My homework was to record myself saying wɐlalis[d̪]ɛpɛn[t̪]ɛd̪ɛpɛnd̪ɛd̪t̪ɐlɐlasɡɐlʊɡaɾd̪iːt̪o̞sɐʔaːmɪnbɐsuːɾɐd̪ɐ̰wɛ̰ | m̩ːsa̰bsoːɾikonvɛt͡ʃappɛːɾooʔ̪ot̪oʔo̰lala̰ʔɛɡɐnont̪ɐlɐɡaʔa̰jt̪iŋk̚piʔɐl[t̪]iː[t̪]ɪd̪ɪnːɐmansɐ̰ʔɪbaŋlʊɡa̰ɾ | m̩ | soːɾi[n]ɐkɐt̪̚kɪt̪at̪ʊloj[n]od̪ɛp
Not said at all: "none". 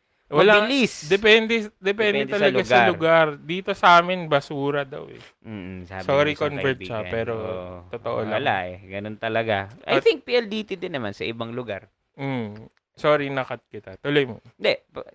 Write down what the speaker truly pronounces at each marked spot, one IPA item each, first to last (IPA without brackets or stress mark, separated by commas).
d̪, d̪, d̪, t̪, n, m